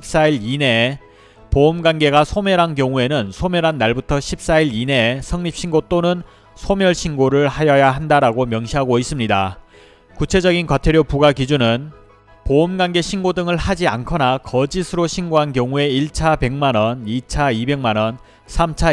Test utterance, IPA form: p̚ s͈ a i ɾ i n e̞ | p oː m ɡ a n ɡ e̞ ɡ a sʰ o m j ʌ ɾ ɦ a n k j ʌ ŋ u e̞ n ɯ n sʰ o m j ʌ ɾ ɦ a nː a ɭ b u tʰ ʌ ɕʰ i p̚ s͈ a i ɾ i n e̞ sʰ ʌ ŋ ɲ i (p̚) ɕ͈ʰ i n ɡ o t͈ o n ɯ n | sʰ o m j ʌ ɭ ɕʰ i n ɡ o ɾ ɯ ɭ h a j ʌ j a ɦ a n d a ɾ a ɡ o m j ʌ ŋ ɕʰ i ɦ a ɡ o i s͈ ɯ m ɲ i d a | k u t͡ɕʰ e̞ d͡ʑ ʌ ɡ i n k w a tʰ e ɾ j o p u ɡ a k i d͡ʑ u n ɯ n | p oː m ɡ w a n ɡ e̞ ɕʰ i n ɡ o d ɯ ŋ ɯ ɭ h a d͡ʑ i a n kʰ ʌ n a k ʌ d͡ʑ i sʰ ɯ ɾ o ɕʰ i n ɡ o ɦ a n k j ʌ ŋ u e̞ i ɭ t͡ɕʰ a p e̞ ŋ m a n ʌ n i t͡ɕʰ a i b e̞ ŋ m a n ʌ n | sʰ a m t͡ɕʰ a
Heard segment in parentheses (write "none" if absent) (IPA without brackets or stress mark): p̚